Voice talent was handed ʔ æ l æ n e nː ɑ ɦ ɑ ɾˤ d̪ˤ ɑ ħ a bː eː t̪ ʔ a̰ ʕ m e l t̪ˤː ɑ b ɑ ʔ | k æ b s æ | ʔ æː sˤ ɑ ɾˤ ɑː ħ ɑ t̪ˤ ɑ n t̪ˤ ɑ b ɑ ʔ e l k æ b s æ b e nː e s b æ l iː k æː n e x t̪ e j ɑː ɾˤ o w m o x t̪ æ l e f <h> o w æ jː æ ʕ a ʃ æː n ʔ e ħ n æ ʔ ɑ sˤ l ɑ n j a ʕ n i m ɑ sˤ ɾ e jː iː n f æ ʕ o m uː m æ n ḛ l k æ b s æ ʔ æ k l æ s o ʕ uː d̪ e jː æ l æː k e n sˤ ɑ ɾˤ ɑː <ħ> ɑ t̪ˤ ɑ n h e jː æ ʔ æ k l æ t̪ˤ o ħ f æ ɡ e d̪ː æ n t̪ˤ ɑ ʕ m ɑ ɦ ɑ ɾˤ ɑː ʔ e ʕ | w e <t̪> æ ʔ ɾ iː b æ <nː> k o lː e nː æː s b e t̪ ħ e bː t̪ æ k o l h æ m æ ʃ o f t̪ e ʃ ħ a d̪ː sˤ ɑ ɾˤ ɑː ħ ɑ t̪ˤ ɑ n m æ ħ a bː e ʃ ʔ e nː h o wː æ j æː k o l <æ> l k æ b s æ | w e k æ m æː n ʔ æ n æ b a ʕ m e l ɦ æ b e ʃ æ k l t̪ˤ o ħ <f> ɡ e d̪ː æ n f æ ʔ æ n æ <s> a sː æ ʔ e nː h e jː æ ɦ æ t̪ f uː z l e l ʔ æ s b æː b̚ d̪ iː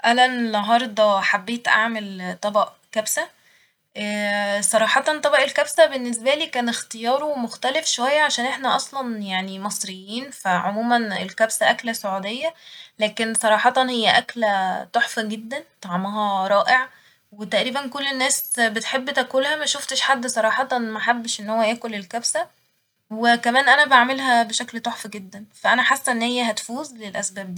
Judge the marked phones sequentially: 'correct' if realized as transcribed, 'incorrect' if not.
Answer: incorrect: ʃ, correct, correct, incorrect: n, incorrect: e, correct, incorrect: ħ

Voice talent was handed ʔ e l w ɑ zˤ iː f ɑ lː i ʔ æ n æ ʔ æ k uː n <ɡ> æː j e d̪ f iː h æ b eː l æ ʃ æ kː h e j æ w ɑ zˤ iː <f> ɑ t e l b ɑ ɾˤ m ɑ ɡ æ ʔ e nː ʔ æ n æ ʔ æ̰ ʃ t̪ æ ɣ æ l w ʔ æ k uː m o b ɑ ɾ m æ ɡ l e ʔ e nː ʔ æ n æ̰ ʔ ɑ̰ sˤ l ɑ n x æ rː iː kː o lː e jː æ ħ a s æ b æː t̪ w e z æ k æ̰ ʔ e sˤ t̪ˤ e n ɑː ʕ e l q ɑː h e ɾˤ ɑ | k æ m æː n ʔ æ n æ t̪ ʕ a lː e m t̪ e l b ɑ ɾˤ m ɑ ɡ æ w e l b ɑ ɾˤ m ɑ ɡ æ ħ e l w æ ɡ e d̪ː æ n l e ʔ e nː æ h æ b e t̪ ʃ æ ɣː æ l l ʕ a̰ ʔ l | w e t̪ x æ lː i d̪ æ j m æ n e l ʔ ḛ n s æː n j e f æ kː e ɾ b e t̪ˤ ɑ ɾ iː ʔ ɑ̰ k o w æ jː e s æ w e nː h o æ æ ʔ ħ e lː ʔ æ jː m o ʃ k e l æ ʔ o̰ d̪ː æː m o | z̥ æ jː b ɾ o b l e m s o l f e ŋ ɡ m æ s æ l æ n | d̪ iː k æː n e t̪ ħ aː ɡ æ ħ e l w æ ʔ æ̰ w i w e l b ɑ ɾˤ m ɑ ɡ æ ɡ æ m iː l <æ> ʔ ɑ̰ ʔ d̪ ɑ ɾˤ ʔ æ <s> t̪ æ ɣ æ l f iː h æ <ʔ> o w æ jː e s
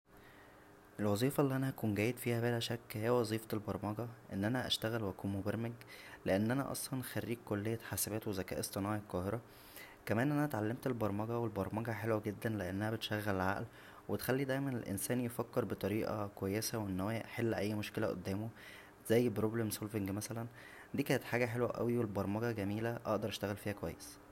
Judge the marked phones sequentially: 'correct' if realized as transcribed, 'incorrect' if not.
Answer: correct, correct, correct, incorrect: ʃ, incorrect: k

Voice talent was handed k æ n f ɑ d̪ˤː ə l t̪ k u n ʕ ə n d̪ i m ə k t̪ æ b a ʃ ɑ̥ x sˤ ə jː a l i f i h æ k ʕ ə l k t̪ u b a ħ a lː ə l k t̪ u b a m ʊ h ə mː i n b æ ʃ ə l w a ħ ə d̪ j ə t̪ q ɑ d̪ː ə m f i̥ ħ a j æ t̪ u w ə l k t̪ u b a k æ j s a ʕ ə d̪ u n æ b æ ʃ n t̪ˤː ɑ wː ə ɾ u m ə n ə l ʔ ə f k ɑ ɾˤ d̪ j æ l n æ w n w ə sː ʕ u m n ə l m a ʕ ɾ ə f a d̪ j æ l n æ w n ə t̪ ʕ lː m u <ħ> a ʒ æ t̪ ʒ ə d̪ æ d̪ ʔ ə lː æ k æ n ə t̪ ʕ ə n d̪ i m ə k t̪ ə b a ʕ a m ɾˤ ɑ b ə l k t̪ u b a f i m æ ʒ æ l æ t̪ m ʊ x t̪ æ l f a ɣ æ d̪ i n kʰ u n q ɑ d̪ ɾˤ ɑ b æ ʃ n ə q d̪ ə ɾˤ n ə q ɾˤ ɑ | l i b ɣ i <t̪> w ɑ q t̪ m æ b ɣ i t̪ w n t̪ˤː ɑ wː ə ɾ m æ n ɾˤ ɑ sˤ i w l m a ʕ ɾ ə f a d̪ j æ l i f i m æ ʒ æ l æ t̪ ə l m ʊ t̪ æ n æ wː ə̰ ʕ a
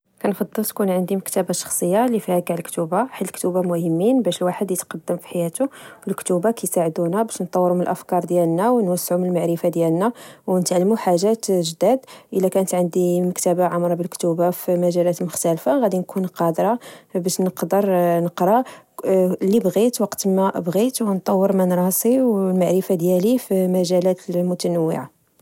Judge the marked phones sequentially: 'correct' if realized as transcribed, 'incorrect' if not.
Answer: correct, correct

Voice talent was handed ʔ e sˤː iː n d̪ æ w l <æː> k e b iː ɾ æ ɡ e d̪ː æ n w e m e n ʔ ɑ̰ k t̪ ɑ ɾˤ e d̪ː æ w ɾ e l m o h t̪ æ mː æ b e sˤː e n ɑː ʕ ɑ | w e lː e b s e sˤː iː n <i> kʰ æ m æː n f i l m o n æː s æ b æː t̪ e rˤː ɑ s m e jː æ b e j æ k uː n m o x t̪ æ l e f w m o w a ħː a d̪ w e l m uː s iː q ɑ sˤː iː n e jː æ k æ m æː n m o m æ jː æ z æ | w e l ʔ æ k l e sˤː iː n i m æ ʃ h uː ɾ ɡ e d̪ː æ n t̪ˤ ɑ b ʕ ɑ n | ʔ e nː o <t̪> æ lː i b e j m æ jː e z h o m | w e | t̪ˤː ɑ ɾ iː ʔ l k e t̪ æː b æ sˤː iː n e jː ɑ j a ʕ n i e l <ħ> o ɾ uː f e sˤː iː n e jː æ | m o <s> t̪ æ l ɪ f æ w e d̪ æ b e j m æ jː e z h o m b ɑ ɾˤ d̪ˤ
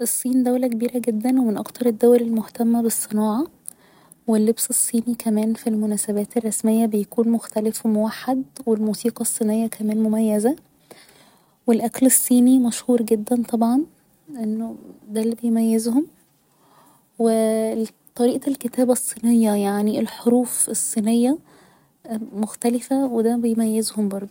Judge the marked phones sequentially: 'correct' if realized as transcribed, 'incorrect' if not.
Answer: incorrect: æ, correct, incorrect: d̪, correct, incorrect: x

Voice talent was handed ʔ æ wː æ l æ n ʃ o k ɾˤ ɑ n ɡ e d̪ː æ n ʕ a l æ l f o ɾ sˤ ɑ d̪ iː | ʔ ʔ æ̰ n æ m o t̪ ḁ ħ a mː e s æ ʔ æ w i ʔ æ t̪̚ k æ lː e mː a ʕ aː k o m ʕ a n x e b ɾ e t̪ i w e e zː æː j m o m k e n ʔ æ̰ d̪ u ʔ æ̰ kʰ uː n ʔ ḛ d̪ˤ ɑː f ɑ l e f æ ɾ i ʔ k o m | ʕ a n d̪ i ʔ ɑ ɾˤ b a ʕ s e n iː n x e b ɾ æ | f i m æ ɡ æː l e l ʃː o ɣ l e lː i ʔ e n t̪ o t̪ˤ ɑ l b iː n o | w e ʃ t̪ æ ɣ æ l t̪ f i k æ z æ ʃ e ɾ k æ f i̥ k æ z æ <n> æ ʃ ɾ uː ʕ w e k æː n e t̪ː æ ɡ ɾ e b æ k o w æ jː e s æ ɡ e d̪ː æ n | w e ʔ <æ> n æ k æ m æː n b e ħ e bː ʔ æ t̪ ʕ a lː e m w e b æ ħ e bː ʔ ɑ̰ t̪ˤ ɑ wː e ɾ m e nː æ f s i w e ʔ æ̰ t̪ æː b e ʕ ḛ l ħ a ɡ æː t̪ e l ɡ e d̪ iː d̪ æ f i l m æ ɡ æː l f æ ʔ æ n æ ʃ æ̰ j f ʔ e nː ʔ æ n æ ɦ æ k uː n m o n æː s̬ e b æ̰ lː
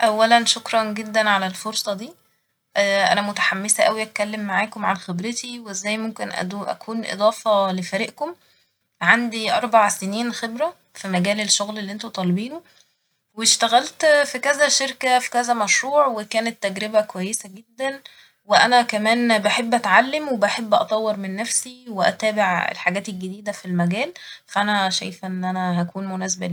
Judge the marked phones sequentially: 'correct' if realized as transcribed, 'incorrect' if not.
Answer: incorrect: m, correct

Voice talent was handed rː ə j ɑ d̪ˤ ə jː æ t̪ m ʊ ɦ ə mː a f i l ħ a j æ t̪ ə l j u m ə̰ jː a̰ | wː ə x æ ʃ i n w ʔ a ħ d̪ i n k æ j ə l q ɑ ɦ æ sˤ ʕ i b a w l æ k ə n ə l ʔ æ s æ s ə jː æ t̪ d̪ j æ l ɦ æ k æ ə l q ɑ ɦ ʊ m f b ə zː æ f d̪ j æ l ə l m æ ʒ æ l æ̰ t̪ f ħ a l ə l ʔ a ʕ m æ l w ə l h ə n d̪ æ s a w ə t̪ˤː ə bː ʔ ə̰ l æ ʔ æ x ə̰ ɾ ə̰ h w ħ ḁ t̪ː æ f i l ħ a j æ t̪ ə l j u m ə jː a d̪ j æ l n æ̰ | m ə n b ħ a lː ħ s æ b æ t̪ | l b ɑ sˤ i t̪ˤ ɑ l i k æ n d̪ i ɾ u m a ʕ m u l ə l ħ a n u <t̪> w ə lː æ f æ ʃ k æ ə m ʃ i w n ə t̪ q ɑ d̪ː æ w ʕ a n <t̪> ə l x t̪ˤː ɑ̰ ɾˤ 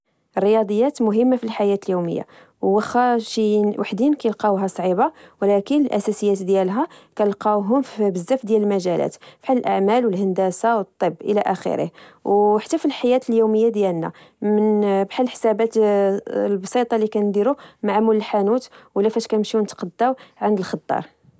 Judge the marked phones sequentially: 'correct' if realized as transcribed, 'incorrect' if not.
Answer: correct, incorrect: d̪

